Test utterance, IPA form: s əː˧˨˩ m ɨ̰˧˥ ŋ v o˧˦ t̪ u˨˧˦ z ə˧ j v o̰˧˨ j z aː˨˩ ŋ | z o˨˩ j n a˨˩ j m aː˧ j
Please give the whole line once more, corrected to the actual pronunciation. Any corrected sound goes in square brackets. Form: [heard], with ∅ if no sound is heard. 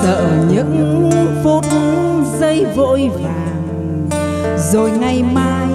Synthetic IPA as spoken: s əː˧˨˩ [ɲ] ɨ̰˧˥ ŋ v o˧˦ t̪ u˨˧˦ z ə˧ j v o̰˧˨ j [v] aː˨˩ ŋ | z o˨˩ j [ŋ] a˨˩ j m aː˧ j